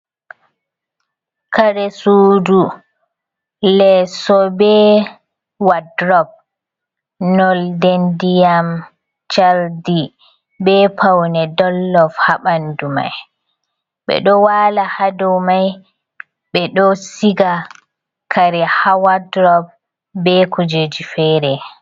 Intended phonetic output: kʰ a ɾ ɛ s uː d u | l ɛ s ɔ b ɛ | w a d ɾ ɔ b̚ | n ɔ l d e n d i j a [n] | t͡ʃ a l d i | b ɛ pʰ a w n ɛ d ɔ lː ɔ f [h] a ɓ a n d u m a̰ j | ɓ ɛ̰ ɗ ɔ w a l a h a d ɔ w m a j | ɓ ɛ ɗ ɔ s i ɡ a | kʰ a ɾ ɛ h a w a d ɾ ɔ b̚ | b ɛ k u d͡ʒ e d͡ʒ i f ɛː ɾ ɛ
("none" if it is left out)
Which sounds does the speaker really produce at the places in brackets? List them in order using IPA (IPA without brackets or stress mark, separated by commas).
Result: m, h